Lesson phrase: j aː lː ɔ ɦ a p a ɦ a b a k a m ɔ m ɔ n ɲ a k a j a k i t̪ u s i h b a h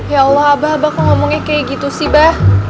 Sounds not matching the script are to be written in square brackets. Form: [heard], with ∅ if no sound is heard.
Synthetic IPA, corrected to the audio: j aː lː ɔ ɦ a [b] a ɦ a b a k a [ŋ] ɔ m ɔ [ŋ] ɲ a k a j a [ɡ] i t̪ u s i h b a h